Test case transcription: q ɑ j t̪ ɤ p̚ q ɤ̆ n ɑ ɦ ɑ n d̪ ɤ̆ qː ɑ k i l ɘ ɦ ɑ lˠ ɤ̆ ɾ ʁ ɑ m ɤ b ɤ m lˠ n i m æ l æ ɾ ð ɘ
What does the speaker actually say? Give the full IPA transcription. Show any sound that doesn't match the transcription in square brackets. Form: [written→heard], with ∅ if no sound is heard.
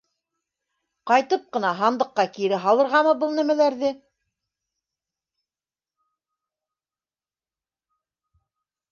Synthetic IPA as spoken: q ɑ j t̪ ɤ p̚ q ɤ̆ n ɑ ɦ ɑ n d̪ ɤ̆ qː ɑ k i [l→ɾ] ɘ ɦ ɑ lˠ ɤ̆ ɾ ʁ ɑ m ɤ b ɤ [m→∅] lˠ n [i→æ] m æ l æ ɾ ð ɘ

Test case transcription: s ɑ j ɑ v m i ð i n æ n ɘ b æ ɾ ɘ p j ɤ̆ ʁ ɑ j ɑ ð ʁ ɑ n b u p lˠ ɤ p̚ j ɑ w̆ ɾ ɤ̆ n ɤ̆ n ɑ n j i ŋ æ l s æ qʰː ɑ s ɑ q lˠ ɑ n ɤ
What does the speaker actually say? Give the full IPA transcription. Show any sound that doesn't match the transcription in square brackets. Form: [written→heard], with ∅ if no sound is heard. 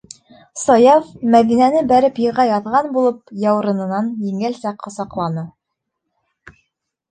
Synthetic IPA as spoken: s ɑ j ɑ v m [i→æ] ð i n æ n ɘ b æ ɾ ɘ p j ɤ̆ ʁ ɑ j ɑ ð ʁ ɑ n b u [p→∅] lˠ ɤ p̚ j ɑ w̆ ɾ ɤ̆ n ɤ̆ n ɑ n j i ŋ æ l s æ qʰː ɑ s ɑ q lˠ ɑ n ɤ

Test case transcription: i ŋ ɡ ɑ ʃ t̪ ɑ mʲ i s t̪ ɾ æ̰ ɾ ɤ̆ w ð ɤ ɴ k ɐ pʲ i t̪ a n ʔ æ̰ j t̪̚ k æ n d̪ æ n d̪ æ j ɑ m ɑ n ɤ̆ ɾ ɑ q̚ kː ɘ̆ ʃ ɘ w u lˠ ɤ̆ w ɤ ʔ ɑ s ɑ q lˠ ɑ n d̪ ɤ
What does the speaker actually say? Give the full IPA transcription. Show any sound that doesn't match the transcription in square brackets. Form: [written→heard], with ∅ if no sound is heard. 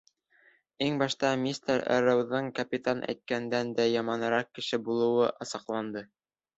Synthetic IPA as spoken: i ŋ [ɡ→b] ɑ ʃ t̪ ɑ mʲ i s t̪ ɾ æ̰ ɾ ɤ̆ w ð ɤ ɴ k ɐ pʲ i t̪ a n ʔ æ̰ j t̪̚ k æ n d̪ æ n d̪ æ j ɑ m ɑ n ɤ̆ ɾ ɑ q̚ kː ɘ̆ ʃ ɘ [w→b] u lˠ ɤ̆ w ɤ ʔ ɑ s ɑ q lˠ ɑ n d̪ ɤ

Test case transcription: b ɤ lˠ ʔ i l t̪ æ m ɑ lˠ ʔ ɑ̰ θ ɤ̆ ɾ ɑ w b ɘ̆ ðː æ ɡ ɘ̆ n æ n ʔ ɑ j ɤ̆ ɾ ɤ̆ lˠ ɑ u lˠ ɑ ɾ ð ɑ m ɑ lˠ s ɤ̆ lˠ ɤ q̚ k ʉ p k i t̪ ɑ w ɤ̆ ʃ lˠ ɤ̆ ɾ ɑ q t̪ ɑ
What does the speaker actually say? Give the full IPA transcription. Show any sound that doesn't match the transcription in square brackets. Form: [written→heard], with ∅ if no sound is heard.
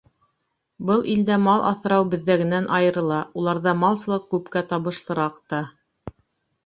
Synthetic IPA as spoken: b ɤ lˠ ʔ i l [t̪→d̪] æ m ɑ lˠ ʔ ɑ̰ θ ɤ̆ ɾ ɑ w b ɘ̆ ðː æ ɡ ɘ̆ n æ n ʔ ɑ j ɤ̆ ɾ ɤ̆ lˠ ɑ u lˠ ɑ ɾ ð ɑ m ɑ lˠ s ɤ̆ lˠ ɤ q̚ k ʉ p k [i→æ] t̪ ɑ [w→β] ɤ̆ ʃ lˠ ɤ̆ ɾ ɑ q t̪ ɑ

